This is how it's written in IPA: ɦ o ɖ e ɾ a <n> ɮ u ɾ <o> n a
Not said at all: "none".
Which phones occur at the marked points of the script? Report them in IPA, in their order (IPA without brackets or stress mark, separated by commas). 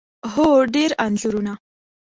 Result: n, u